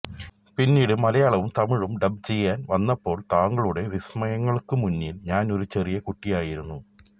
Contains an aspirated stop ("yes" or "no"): no